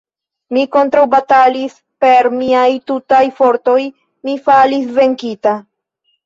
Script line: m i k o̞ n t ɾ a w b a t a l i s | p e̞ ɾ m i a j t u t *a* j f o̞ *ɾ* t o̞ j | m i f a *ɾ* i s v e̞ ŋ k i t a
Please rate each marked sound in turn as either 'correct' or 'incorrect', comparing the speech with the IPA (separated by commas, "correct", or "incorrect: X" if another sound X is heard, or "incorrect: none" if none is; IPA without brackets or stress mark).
correct, correct, incorrect: l